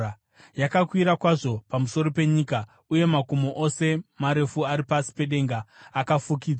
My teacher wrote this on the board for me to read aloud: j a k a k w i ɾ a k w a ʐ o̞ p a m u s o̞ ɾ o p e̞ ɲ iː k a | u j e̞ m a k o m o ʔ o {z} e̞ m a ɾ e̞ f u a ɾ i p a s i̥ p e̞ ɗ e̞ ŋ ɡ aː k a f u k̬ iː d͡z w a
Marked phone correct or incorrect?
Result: incorrect